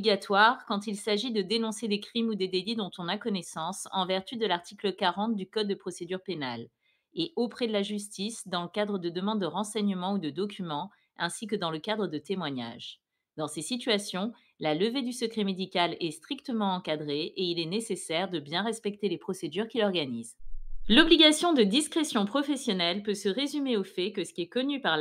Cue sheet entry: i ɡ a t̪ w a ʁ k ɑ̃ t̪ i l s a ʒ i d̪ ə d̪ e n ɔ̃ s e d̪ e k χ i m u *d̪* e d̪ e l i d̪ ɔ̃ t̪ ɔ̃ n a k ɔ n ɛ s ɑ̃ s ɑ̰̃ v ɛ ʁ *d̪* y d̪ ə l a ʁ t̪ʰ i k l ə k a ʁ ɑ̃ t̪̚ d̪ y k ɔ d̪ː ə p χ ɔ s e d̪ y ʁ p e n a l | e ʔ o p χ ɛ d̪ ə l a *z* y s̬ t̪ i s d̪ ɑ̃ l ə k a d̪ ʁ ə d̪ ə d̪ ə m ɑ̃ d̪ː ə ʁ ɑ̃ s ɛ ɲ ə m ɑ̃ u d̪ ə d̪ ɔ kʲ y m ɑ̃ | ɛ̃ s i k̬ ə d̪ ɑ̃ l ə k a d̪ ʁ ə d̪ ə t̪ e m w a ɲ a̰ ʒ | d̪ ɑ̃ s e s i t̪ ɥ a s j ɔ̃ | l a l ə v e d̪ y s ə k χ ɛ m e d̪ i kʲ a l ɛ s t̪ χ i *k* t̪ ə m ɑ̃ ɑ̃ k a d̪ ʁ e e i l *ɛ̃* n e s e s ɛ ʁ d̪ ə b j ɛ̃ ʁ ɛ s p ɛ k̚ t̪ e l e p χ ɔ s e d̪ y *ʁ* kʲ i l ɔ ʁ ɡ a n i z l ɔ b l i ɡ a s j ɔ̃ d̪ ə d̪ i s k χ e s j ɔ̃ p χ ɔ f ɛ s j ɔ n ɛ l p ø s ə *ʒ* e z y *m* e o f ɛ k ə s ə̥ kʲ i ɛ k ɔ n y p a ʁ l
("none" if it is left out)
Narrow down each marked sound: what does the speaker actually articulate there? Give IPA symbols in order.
d̪, t̪, ʒ, k, ɛ, ʁ, ʁ, m

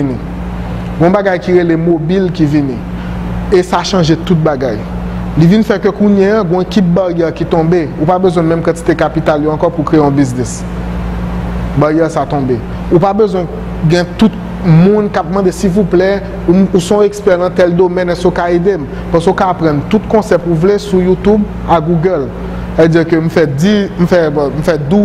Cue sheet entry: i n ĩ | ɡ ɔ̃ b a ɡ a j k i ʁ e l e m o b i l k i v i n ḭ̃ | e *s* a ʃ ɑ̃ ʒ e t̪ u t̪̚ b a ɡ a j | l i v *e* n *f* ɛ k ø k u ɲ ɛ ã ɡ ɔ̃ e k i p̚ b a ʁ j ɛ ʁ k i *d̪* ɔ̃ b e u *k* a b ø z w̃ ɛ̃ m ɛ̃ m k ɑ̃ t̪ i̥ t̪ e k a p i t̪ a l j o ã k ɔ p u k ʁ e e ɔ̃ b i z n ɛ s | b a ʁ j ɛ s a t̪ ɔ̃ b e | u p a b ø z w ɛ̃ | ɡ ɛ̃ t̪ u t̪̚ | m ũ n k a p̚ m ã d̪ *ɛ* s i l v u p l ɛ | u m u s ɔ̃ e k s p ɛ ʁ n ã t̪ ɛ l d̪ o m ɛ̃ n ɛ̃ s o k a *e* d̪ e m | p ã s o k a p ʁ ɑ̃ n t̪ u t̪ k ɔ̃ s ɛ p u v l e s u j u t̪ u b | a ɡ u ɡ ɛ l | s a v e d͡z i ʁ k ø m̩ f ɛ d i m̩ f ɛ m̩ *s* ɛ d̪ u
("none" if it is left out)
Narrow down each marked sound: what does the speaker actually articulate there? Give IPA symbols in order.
s, i, f, t̪, p, e, e, f

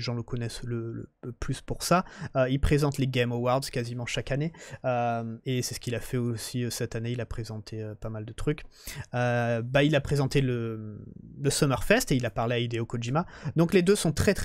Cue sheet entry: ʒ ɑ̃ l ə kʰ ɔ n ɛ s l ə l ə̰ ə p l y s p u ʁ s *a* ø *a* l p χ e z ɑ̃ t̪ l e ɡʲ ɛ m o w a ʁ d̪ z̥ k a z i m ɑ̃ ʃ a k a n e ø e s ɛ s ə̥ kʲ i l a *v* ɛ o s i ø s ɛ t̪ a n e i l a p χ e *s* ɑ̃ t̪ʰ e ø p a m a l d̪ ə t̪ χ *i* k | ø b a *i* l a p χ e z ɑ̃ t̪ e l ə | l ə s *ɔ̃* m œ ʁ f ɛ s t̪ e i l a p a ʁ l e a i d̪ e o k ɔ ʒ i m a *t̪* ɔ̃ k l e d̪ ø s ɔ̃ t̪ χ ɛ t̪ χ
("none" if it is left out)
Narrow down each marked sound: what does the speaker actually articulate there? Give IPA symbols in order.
a, i, f, z, y, i, ɔ, d̪

